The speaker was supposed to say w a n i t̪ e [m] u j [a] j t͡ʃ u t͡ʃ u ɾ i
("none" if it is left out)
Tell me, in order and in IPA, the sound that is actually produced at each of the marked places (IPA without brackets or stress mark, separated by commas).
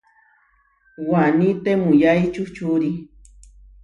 m, a